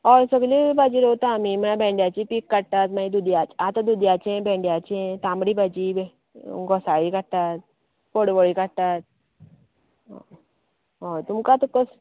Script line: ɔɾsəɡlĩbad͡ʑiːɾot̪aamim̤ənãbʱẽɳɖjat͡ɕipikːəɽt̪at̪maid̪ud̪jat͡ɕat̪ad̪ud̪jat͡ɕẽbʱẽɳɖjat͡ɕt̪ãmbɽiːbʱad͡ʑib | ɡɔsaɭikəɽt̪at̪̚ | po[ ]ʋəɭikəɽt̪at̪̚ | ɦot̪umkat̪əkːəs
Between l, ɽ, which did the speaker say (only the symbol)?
ɽ